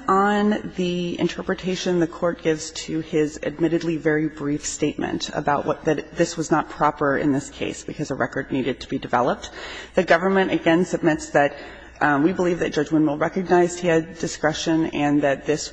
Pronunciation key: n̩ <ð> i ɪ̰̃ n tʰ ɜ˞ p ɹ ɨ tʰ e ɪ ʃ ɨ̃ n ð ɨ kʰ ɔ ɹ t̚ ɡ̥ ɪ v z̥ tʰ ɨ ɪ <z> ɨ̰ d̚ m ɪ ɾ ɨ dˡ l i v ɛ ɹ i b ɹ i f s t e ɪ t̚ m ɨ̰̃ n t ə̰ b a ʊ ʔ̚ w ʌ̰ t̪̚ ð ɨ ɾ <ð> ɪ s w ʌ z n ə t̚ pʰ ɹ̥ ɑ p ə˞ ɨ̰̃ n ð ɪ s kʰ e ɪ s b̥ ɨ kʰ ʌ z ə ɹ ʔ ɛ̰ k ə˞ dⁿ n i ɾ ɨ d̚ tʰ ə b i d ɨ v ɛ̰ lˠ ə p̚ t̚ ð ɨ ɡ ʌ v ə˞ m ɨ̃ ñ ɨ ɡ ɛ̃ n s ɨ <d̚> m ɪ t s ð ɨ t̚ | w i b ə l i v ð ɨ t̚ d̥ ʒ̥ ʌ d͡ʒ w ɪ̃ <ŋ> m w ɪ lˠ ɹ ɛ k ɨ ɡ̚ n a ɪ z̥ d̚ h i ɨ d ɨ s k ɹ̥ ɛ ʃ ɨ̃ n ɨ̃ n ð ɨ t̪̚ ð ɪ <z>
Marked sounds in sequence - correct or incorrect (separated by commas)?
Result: correct, correct, correct, incorrect, incorrect, incorrect